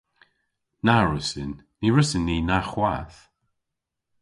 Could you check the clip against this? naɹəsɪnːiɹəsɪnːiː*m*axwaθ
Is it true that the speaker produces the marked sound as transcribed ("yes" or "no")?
no